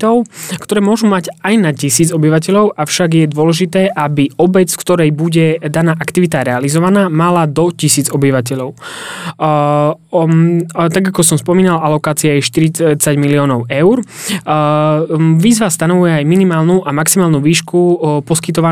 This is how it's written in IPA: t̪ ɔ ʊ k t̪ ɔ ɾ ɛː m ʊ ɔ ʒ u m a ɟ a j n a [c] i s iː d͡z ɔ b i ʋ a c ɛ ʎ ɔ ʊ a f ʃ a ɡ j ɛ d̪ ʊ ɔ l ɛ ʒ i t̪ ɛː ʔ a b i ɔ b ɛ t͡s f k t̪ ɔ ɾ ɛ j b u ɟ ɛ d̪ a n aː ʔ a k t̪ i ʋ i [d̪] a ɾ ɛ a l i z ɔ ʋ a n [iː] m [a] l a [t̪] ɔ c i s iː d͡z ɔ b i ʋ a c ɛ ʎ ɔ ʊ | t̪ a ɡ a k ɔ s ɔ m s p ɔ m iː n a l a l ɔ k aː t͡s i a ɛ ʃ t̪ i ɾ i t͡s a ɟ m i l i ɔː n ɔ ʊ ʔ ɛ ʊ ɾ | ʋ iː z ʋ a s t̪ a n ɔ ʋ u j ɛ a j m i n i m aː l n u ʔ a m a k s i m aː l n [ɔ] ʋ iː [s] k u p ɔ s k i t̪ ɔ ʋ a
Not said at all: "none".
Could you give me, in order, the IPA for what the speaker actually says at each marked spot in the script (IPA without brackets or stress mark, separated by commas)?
c, t̪, aː, a, d̪, u, ʃ